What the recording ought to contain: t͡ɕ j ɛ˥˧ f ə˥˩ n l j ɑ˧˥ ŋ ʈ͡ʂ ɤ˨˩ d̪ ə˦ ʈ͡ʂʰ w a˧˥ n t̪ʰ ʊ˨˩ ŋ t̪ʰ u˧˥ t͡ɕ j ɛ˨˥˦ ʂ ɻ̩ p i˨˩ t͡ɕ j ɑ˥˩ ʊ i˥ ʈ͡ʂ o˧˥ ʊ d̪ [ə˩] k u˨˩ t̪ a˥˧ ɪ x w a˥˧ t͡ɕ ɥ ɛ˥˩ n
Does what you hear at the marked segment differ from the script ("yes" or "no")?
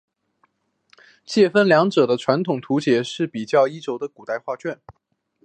yes